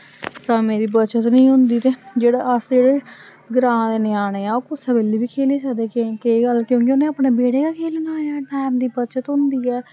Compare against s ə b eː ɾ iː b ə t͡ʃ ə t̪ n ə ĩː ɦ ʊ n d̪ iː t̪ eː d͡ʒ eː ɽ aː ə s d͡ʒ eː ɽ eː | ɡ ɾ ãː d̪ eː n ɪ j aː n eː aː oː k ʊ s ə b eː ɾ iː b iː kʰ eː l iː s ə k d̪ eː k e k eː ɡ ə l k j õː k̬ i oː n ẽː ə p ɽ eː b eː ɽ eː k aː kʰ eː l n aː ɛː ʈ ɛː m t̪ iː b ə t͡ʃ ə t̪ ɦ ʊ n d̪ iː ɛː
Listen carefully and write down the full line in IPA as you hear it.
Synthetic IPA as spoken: s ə m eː ɾ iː b ə t͡ʃ ə t̪ n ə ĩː ɦ ʊ n d̪ iː t̪ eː d͡ʒ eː ɽ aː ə s d͡ʒ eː ɽ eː | ɡ ɾ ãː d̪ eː n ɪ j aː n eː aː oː k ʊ s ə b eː l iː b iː kʰ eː l iː s ə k d̪ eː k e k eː ɡ ə l k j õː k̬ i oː n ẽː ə p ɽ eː b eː ɽ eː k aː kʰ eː l n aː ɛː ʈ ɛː m d̪ iː b ə t͡ʃ ə t̪ ɦ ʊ n d̪ iː ɛː